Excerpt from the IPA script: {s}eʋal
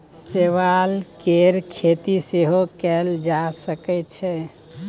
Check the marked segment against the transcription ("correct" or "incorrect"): correct